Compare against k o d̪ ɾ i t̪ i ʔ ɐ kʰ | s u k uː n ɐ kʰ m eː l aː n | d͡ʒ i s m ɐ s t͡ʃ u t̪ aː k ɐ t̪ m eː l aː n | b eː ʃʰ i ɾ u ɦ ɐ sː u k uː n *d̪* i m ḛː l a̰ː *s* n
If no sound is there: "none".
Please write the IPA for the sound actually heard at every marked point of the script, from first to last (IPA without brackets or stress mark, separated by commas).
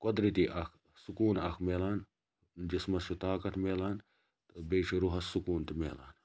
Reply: t̪, none